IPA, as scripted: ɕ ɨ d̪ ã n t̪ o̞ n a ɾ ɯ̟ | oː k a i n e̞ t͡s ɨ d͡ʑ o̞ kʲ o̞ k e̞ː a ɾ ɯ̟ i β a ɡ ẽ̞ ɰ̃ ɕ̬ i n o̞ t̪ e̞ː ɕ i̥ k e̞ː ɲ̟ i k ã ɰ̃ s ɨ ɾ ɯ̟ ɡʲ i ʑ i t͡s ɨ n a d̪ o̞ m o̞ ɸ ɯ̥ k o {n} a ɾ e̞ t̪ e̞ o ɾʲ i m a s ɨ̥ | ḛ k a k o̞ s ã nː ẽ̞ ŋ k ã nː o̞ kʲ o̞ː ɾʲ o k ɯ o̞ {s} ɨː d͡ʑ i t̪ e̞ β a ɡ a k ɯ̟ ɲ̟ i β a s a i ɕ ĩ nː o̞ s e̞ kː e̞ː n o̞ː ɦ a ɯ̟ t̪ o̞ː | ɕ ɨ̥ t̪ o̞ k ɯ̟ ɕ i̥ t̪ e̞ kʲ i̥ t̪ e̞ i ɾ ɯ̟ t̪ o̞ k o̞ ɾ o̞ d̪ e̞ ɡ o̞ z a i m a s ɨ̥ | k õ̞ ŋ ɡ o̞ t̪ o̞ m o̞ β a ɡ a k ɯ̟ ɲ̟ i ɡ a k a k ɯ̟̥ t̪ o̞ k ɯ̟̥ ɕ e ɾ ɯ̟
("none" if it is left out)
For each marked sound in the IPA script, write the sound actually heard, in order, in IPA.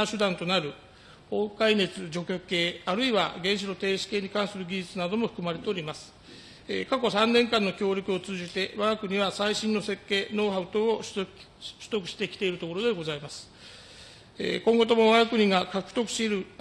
m, t͡s

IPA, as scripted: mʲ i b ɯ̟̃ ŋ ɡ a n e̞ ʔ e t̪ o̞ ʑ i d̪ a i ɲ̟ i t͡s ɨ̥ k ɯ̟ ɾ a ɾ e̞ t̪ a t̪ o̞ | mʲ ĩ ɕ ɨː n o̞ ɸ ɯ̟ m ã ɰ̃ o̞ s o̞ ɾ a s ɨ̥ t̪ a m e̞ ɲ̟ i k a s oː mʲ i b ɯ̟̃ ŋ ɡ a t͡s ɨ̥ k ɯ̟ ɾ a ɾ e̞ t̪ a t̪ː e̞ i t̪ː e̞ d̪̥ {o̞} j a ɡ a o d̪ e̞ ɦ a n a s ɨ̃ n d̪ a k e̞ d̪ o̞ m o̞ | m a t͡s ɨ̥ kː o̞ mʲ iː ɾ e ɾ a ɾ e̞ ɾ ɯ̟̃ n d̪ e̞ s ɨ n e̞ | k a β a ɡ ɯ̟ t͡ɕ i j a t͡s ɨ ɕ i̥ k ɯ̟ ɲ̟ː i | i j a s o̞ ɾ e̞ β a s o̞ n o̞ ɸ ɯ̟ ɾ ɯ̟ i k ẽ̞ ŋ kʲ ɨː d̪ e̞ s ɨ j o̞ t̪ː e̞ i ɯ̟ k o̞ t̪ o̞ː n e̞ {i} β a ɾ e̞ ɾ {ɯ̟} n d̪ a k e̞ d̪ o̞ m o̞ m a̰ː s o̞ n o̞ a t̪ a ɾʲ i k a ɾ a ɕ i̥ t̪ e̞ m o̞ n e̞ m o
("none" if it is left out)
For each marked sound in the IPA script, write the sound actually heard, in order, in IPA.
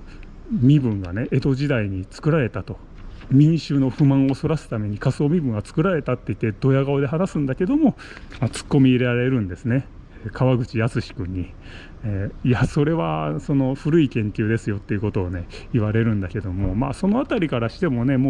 o̞, i, ɯ̟̃

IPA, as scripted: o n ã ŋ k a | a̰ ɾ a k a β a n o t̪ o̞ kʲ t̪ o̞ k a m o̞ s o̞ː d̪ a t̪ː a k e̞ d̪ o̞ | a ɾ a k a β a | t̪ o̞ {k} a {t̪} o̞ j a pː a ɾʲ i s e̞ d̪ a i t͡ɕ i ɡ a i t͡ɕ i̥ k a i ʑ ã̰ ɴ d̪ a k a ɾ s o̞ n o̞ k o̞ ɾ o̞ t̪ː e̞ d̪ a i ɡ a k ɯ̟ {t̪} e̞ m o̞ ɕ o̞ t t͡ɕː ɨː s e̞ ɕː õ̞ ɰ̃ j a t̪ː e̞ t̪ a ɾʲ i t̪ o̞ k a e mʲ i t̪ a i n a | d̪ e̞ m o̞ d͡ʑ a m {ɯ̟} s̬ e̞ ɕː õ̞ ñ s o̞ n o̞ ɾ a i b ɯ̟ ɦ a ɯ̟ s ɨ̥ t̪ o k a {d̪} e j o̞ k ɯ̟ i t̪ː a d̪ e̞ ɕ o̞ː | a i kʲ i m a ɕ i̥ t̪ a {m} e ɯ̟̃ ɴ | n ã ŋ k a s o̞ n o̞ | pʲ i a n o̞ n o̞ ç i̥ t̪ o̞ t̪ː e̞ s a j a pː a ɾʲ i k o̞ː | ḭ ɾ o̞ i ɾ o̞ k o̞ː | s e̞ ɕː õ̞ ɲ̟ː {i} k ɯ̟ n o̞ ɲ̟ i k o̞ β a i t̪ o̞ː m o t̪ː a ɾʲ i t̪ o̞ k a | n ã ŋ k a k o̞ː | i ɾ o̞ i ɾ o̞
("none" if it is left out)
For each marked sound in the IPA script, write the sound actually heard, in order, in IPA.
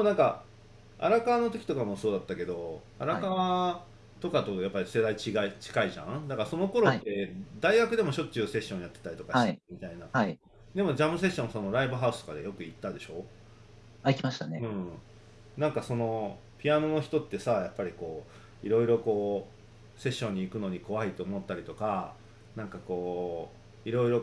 k, t̪, d̪, ɯ̟, d̪, n, iː

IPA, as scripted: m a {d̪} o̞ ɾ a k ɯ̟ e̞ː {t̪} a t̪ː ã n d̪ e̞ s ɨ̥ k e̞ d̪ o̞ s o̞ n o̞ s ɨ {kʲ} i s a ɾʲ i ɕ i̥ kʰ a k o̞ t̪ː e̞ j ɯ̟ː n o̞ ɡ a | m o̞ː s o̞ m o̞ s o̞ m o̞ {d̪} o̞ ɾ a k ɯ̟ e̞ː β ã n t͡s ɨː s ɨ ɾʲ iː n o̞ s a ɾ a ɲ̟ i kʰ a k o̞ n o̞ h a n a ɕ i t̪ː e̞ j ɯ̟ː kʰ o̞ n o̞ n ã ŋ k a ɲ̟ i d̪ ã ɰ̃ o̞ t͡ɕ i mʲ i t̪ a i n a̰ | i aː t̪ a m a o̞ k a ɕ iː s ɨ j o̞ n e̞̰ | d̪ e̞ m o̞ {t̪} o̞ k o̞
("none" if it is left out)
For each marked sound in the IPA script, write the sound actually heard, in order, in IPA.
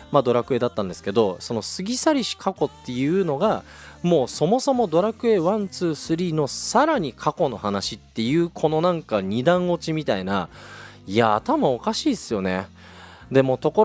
d̪, d̪, ɡʲ, d̪, t̪

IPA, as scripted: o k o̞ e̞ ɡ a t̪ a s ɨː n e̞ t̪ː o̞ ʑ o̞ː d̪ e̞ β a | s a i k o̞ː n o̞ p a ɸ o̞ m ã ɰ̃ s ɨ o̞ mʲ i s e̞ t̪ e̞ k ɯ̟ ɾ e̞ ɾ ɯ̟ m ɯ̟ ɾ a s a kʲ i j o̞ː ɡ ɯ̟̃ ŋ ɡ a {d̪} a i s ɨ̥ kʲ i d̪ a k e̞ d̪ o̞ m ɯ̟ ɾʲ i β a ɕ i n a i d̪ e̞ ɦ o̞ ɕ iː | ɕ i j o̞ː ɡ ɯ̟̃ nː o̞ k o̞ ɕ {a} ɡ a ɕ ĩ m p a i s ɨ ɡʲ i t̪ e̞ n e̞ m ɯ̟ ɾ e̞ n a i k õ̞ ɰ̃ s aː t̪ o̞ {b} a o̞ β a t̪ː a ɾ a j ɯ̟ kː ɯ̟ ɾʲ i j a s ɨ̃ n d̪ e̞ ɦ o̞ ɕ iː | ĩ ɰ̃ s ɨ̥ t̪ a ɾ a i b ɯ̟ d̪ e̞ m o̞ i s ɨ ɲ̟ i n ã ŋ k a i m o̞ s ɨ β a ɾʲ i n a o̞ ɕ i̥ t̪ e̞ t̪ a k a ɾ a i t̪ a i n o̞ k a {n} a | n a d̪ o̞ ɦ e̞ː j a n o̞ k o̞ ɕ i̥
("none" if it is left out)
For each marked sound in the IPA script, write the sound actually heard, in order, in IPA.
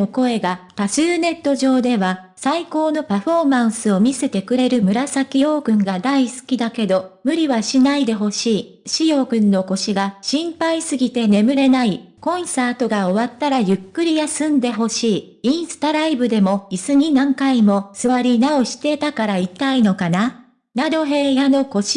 d̪, i, ɡ, n

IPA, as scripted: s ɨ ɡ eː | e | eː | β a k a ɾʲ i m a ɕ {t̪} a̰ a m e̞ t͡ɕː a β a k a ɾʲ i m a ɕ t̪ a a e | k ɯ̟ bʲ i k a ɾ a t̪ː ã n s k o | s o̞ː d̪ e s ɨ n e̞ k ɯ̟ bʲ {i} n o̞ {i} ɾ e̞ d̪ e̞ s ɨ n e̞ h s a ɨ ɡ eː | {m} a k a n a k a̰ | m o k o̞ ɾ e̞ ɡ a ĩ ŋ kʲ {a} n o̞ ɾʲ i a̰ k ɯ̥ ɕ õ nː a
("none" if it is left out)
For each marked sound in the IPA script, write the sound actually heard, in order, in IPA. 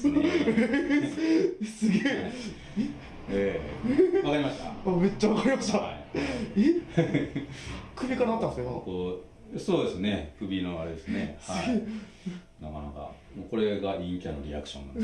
t̪, i, a, n, a

